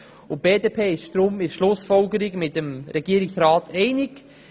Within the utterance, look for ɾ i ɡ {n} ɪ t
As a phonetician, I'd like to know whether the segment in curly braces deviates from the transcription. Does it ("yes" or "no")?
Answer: yes